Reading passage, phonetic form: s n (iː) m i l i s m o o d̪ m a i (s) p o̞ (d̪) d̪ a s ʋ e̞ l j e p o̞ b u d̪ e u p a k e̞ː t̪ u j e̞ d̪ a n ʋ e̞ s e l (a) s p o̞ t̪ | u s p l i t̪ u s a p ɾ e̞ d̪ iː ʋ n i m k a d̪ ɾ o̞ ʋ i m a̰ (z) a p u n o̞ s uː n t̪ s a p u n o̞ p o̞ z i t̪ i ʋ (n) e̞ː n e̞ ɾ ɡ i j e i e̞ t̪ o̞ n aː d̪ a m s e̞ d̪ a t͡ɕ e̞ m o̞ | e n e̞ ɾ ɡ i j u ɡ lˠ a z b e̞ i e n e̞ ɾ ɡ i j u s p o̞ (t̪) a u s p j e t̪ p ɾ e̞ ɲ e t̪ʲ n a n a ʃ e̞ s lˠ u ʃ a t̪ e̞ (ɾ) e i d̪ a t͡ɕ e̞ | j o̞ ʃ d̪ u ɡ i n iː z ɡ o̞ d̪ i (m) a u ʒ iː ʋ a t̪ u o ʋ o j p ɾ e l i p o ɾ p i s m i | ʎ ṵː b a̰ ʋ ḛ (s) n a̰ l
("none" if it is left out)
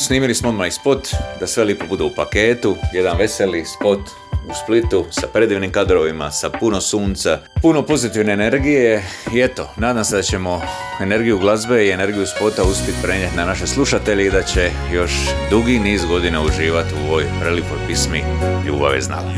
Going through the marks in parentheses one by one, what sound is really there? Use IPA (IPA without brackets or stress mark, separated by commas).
iː, s, t̪, i, s, n, t̪, ʎ, n, z